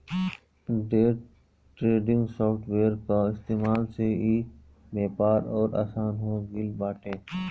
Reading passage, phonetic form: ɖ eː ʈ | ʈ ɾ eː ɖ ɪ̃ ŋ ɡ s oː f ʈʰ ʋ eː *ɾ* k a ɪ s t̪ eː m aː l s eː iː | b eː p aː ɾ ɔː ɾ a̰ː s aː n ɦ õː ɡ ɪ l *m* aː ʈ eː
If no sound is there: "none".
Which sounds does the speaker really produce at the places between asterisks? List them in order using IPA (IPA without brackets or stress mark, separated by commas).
ɾ, b